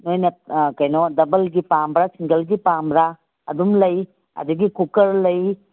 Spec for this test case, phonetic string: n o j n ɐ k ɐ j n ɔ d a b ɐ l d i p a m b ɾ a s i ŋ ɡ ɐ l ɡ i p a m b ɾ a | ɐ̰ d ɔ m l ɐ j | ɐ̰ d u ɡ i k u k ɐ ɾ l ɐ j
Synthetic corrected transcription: n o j n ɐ k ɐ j n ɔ d ɐ b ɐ l ɡ i p a m b ɾ a s i ŋ ɡ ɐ l ɡ i p a m b ɾ a | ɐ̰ d u m l ɐ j | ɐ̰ d u ɡ i k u k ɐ ɾ l ɐ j